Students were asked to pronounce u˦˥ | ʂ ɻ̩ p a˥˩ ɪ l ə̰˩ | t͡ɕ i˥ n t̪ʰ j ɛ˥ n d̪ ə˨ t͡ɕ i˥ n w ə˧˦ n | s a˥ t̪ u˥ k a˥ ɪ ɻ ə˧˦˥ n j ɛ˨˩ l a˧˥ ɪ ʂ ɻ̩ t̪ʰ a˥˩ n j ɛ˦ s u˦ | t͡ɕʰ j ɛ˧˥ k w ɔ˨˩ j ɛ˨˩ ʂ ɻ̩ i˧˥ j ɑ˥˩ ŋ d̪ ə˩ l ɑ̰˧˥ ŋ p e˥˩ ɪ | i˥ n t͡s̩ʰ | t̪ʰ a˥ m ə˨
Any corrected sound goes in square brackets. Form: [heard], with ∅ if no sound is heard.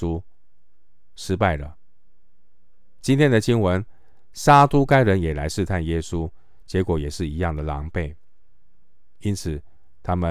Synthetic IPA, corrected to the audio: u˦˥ | ʂ ɻ̩ p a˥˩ ɪ l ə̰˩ | t͡ɕ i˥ n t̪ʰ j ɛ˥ n d̪ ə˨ t͡ɕ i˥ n w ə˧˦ n | s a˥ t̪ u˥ k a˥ ɪ ɻ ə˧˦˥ n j ɛ˨˩ l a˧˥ ɪ ʂ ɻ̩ t̪ʰ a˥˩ n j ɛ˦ s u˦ | [t͡ɕ] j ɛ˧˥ k w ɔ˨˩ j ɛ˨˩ ʂ ɻ̩ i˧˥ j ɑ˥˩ ŋ d̪ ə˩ l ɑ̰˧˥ ŋ p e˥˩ ɪ | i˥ n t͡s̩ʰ | t̪ʰ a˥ m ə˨